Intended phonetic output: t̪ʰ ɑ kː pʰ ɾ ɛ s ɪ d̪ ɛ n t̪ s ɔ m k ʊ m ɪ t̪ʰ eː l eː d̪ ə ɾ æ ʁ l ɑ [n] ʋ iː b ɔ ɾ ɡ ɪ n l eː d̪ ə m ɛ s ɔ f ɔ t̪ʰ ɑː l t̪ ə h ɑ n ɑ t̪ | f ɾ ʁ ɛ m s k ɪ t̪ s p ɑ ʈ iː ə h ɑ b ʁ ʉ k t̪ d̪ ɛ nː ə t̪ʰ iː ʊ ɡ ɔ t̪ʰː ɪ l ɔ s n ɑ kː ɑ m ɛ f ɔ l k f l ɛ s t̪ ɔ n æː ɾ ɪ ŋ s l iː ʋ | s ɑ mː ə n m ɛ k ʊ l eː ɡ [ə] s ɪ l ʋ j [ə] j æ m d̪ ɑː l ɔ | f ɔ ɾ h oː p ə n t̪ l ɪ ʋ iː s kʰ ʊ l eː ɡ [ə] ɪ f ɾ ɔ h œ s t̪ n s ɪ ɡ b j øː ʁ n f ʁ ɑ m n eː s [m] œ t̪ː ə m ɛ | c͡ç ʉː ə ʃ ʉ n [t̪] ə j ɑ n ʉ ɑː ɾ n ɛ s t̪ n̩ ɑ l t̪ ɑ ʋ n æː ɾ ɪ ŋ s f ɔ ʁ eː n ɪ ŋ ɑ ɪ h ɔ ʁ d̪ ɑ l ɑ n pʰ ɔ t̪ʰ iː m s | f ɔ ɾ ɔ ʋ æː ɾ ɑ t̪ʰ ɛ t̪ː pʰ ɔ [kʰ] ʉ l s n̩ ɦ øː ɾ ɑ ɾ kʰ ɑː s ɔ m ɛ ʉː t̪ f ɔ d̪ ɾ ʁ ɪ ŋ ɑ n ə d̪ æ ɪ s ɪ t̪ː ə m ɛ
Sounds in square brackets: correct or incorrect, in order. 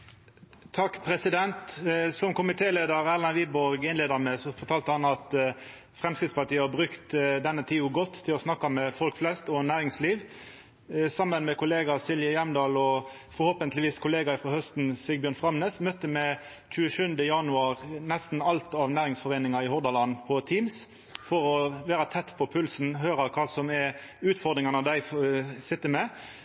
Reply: correct, incorrect: ɑ, correct, incorrect: ɑ, correct, incorrect: d̪, incorrect: pʰ

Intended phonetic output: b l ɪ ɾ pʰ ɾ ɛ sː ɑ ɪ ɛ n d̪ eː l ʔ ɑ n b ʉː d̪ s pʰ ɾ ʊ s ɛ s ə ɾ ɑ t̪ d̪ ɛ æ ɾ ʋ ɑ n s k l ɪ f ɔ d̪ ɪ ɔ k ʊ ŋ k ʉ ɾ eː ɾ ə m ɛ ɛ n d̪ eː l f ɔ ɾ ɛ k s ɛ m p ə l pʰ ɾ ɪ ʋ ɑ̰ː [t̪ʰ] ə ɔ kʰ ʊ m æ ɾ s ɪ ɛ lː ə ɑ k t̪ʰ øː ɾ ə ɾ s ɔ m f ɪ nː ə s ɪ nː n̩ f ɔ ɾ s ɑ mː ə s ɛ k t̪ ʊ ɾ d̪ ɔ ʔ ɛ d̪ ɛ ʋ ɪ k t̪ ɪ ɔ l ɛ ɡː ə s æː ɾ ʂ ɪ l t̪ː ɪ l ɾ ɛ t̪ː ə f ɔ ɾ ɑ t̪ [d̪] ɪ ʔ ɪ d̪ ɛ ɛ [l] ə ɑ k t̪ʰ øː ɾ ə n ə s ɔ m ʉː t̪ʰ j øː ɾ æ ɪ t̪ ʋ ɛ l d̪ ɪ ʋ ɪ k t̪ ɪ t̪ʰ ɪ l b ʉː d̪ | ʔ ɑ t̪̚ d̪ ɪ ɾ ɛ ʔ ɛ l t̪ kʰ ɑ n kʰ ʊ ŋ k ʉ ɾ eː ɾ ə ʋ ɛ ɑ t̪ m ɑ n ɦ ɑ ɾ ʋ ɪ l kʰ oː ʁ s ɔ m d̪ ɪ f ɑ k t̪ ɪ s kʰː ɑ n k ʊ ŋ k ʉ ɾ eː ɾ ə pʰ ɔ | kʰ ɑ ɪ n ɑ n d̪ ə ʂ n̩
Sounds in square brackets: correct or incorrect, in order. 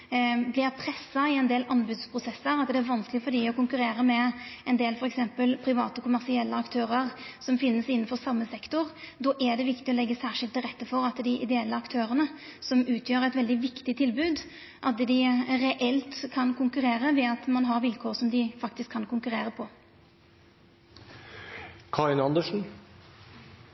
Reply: incorrect: t̪, correct, incorrect: lː

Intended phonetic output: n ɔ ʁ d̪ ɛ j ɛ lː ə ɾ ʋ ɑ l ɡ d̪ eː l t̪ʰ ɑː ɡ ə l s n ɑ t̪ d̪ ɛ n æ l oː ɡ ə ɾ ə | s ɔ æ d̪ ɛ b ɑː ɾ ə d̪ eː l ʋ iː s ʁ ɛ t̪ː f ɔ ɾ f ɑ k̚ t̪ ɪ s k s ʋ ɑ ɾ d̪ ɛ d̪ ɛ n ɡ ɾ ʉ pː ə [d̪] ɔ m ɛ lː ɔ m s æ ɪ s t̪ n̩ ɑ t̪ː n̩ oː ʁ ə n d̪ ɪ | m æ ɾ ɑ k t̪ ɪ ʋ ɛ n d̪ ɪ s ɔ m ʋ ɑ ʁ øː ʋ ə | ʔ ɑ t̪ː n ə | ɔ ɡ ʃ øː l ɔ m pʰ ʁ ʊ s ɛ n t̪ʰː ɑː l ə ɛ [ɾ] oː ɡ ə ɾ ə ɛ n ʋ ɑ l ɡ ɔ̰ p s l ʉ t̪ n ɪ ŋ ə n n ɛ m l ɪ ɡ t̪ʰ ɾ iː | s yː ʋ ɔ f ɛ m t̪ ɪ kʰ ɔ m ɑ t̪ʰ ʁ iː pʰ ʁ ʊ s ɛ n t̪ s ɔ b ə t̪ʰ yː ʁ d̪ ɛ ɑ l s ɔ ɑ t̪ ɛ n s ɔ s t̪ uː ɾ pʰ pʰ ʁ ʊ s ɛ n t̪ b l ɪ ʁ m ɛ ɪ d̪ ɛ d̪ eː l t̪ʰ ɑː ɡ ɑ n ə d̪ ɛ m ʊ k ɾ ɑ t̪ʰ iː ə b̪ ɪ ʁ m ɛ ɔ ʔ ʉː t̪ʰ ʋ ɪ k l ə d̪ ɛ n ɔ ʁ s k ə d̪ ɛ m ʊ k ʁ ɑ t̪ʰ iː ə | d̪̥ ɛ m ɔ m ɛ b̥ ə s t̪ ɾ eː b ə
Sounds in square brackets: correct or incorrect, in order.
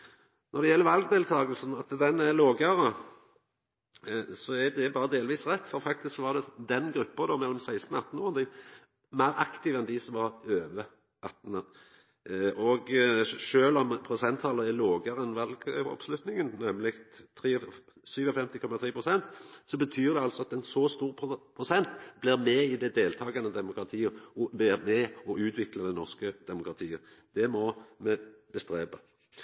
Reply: correct, incorrect: l

